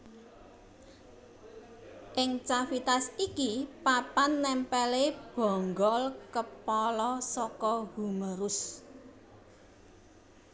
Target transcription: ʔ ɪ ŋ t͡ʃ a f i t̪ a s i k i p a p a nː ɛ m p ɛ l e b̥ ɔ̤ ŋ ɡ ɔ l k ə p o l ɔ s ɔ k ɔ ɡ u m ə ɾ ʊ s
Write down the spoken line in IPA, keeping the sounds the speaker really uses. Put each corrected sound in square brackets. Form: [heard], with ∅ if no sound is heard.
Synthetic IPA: ʔ ɪ ŋ t͡ʃ a f i t̪ a s i k i p a p a nː ɛ m p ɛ l e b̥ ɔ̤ ŋ ɡ ɔ l k ə p [ɔ] l ɔ s ɔ k ɔ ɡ u m ə ɾ ʊ s

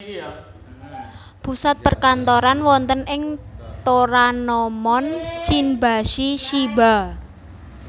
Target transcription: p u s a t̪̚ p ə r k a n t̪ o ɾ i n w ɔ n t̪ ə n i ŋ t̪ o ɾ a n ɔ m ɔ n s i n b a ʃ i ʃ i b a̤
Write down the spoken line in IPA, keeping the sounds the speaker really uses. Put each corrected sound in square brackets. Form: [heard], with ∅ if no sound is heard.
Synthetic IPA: p u s a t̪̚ p ə r k a n t̪ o ɾ [a] n w ɔ n t̪ ə n [ɪ] ŋ t̪ o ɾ a n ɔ m ɔ n s i n b a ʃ i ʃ i b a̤

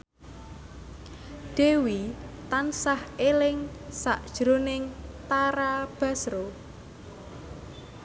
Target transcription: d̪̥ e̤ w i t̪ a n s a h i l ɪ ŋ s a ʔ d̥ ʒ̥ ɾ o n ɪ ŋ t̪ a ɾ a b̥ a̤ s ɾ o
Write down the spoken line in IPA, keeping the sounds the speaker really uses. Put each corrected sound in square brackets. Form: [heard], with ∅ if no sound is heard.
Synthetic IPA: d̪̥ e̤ w i t̪ a n s a h [e] l ɪ ŋ s a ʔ d̥ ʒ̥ ɾ o n ɪ ŋ t̪ a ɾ a b̥ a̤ s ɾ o

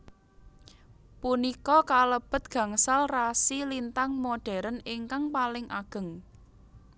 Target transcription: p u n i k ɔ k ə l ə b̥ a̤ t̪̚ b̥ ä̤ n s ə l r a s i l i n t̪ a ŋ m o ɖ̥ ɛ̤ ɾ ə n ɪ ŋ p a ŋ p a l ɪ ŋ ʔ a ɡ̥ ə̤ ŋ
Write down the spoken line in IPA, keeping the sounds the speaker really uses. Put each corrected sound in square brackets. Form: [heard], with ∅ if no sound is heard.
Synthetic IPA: p u n i k ɔ k [a] l ə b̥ [ə̤] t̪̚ [ɡ̥] ä̤ [ŋ] s [a] l r a s i l i n t̪ a ŋ m o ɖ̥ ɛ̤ ɾ ə n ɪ ŋ [k] a ŋ p a l ɪ ŋ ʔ a ɡ̥ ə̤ ŋ

